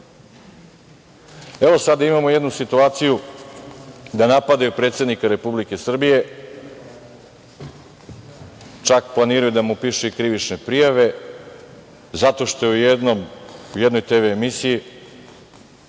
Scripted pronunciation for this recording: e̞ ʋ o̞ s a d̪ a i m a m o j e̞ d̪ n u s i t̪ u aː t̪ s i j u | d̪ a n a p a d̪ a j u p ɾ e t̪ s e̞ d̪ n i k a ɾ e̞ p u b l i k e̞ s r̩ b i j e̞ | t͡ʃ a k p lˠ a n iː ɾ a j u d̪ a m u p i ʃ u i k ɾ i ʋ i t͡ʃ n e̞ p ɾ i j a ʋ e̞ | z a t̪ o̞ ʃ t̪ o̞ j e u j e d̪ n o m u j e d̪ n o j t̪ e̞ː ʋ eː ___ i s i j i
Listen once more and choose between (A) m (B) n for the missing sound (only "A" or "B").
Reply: A